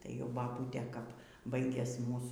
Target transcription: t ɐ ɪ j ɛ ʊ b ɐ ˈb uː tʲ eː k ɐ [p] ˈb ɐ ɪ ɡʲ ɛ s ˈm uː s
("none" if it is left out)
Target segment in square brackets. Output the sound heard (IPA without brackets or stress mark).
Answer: p